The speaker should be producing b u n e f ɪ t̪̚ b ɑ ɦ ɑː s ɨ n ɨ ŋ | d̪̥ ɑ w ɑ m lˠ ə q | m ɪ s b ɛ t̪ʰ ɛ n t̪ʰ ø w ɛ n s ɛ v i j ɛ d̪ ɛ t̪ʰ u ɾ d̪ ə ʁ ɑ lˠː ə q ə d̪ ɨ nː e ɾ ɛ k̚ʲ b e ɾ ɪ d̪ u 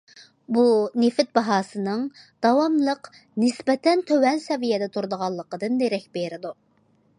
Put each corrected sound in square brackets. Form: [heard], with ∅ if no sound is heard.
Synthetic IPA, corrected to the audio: b u n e f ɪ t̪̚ b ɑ ɦ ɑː s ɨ n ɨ ŋ | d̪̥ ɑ w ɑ m lˠ ə q | [n] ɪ s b ɛ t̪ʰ ɛ n t̪ʰ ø w ɛ n s ɛ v i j ɛ d̪ ɛ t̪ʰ u ɾ d̪ ə ʁ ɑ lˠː ə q ə d̪ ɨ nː e ɾ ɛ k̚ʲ b e ɾ ɪ d̪ u